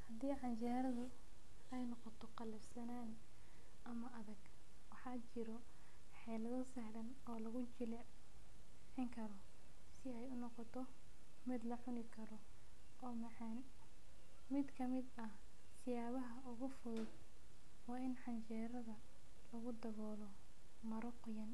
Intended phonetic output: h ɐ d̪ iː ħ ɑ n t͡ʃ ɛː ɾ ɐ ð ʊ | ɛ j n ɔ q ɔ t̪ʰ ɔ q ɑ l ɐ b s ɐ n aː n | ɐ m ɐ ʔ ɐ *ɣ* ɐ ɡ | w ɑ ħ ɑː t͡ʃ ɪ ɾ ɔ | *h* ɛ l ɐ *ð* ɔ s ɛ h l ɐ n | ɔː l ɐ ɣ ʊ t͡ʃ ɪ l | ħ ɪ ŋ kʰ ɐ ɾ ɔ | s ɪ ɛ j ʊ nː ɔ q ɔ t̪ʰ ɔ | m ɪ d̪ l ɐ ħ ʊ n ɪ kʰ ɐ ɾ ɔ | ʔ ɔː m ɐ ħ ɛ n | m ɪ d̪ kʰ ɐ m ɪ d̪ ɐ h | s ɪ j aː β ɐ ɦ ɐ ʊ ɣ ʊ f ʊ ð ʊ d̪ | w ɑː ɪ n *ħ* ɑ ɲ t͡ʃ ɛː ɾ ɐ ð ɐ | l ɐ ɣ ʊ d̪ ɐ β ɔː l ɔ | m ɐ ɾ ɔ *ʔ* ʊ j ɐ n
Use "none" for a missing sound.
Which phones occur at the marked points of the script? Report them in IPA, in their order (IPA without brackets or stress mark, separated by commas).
ð, ħ, ð, ħ, q